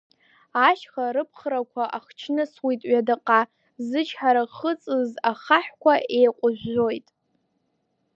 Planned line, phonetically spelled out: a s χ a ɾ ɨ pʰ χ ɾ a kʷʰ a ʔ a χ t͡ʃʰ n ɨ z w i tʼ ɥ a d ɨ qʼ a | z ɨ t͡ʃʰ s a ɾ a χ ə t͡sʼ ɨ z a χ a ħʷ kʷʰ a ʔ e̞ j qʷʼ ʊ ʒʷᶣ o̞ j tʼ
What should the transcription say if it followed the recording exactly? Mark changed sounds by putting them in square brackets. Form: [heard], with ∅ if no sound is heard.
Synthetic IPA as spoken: a [ʃ] χ a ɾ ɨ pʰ χ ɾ a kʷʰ a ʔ a χ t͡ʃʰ n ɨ [s] w i tʼ ɥ a d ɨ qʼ a | z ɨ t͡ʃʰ [ħ] a ɾ a χ ə t͡sʼ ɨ z a χ a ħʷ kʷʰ a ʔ e̞ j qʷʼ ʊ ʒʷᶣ o̞ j tʼ